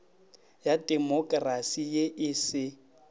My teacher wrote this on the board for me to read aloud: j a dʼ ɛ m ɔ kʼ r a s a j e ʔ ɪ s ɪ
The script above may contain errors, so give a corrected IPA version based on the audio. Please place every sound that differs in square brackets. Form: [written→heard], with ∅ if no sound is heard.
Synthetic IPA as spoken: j a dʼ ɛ m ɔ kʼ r a s [a→i] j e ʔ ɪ s ɪ